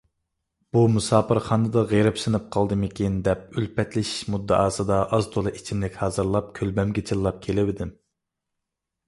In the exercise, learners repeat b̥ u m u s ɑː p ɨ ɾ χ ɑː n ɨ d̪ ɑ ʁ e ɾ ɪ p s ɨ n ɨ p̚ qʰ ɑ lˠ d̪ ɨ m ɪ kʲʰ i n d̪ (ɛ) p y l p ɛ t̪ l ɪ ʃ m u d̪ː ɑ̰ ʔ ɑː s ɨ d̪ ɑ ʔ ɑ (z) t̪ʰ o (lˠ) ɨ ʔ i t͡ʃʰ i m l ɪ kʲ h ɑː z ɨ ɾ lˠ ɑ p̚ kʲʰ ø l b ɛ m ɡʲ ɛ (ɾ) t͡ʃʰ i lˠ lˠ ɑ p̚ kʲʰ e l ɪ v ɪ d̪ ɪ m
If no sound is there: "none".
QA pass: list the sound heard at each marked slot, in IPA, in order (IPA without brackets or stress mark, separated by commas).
ɛ, z, lˠ, none